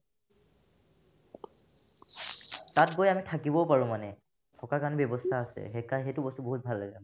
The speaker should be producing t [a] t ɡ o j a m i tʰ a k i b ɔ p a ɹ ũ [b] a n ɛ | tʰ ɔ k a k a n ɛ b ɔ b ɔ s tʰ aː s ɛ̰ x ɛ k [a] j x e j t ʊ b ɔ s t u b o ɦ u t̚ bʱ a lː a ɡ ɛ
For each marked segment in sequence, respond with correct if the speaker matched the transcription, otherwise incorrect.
correct, incorrect: m, correct

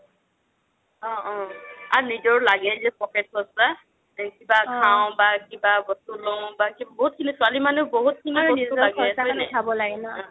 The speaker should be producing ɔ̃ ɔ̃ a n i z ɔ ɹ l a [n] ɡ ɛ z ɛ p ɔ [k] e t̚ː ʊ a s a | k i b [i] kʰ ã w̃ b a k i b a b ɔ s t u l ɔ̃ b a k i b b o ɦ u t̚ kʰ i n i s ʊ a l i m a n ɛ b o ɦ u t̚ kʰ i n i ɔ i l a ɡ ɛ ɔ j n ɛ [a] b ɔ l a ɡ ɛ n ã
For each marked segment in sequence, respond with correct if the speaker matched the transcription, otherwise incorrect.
incorrect: none, correct, incorrect: a, correct

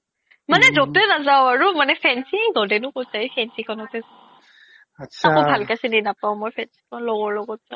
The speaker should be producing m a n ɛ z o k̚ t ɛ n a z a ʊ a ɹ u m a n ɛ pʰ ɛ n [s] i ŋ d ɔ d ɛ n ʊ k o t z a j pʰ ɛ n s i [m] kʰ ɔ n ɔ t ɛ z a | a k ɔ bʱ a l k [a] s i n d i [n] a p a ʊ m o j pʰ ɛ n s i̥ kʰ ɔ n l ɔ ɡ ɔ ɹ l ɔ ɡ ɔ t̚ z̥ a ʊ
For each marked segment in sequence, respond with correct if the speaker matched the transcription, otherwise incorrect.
correct, incorrect: none, correct, correct

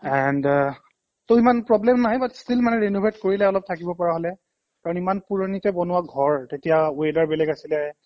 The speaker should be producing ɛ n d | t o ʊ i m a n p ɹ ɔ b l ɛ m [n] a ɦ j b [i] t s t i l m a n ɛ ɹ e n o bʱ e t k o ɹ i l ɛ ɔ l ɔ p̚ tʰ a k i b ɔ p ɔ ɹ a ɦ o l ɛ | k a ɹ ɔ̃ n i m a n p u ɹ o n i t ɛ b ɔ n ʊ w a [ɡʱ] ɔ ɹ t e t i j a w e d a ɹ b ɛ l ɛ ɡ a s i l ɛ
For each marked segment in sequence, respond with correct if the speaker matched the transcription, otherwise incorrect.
correct, incorrect: a, correct

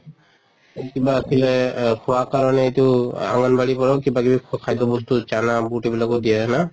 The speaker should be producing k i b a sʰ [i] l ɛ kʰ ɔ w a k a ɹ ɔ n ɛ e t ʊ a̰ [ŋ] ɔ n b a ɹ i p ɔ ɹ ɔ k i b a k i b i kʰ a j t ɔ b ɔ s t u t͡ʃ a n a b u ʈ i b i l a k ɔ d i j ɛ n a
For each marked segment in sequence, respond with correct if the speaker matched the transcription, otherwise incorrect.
correct, correct

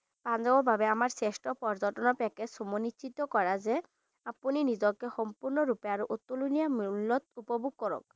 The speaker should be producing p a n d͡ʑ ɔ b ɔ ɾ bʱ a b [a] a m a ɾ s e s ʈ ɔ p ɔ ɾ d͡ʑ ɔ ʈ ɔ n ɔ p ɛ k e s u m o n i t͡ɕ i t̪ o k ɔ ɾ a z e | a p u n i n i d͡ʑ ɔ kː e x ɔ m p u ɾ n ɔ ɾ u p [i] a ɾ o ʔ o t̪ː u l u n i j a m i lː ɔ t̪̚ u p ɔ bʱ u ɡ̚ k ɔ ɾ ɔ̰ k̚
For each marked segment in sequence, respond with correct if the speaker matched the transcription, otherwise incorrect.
incorrect: e, incorrect: e

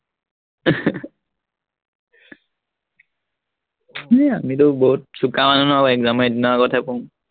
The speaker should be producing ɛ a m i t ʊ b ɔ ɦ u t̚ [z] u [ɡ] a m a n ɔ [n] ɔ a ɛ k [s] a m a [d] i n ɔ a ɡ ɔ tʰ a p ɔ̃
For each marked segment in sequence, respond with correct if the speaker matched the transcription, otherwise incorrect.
incorrect: s, incorrect: k, correct, incorrect: z, correct

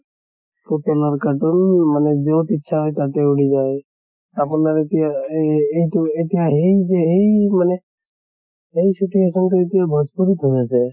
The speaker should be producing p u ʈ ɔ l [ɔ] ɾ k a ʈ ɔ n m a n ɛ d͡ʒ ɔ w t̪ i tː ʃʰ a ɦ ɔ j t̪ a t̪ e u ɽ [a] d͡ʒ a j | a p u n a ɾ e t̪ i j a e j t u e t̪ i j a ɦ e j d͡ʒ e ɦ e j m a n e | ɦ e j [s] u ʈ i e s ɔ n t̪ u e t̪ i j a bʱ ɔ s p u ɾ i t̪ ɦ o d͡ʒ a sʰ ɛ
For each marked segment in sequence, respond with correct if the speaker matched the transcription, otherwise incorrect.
correct, incorrect: i, correct

